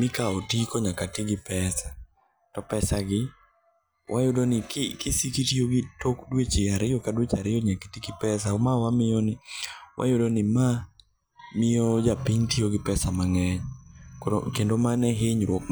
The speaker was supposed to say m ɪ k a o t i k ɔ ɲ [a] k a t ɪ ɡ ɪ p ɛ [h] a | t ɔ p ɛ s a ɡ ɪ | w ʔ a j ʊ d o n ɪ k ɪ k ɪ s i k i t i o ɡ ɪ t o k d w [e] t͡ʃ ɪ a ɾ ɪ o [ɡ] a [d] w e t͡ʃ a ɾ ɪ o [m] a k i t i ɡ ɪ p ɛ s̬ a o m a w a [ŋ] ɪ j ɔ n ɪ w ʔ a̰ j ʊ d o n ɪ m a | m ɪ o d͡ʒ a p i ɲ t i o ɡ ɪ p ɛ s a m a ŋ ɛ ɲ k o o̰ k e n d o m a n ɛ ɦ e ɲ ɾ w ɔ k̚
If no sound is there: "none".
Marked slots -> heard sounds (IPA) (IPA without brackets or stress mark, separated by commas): a, s, e, k, d, ɲ, m